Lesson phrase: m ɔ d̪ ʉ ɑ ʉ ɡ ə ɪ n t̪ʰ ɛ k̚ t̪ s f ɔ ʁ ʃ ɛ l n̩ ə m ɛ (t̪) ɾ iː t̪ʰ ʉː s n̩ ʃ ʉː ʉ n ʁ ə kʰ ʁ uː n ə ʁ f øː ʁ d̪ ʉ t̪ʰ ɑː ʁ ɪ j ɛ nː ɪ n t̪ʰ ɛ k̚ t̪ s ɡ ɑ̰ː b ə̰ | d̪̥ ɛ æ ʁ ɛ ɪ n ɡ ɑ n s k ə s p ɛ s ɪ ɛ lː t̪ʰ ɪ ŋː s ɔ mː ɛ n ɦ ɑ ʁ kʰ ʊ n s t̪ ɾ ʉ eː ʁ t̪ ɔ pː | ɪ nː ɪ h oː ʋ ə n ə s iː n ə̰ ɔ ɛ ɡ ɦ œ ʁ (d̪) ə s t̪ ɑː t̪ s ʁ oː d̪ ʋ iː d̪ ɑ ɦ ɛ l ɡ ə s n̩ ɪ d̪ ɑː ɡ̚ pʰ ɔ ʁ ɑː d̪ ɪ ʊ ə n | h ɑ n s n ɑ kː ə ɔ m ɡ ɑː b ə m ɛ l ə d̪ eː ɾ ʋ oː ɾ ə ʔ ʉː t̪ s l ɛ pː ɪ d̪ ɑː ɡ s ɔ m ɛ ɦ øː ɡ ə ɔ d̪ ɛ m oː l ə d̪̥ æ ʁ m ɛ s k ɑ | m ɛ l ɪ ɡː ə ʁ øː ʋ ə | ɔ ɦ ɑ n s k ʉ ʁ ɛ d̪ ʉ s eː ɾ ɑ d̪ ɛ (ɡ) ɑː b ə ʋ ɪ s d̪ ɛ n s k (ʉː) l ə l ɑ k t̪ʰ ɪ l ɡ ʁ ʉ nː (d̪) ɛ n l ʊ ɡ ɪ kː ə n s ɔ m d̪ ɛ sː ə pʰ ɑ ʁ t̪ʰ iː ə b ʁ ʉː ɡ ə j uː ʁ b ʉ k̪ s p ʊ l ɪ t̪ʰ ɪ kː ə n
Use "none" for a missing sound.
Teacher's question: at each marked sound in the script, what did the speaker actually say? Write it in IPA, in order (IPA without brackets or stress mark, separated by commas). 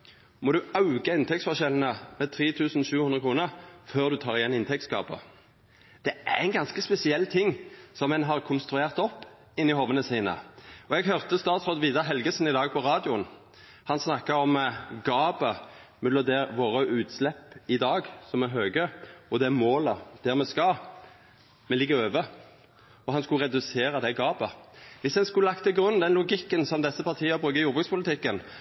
t̪ʰ, t̪, ɡ, ʉ, d̪